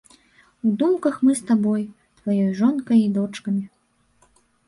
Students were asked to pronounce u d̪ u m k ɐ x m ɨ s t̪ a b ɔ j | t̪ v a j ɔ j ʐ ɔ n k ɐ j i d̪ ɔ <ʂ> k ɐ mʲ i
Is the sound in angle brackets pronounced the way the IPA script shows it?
no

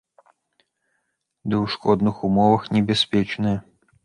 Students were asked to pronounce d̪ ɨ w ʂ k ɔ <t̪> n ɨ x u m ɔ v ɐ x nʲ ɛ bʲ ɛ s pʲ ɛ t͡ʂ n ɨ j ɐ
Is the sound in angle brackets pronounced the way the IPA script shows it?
no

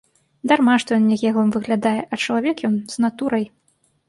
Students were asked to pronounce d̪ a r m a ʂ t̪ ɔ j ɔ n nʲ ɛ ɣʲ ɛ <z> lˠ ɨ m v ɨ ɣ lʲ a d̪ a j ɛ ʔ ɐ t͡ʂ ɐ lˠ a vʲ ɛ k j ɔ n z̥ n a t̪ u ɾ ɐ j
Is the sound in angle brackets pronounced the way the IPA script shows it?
no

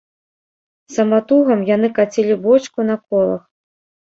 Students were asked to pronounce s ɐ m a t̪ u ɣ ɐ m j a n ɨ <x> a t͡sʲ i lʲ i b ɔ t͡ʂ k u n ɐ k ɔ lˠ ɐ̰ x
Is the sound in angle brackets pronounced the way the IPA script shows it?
no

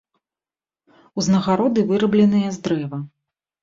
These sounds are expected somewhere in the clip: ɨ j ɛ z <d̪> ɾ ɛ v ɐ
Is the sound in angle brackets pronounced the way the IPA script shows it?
yes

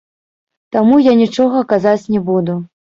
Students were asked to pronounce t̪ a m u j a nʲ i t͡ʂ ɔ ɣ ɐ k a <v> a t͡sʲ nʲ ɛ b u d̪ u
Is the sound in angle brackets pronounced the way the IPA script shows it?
no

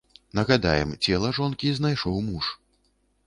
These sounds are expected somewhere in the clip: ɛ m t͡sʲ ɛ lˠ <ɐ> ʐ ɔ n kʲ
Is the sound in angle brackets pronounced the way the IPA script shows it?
yes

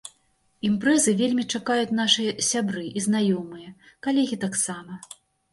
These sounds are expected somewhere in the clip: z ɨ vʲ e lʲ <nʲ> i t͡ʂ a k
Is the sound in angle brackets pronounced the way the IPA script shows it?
no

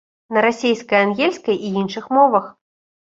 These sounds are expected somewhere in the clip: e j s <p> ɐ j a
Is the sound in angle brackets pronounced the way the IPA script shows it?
no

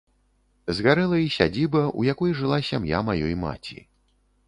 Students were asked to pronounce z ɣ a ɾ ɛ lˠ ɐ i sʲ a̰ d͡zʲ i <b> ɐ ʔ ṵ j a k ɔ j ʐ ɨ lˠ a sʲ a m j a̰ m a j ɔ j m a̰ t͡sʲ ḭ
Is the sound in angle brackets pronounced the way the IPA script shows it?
yes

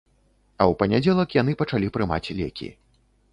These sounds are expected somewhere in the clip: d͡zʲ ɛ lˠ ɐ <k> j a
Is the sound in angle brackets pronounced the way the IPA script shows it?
yes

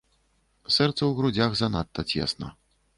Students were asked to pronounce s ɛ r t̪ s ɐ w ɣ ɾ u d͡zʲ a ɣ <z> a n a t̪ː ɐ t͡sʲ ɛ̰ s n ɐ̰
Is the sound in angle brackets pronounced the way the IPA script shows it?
yes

